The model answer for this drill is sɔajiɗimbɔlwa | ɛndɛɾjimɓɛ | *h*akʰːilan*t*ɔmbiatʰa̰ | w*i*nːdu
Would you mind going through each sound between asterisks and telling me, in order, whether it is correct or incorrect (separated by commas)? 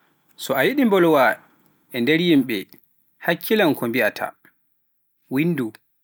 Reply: correct, incorrect, correct